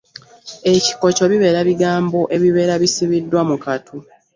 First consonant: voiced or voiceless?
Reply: voiceless